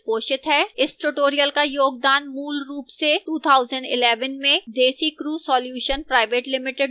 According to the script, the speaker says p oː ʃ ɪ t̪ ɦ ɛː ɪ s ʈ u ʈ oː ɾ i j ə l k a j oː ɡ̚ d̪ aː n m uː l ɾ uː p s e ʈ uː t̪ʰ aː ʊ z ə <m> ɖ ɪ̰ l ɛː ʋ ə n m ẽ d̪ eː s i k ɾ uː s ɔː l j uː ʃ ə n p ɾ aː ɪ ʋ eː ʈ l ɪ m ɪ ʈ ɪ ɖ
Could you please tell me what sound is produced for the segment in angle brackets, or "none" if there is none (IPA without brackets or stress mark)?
ɳ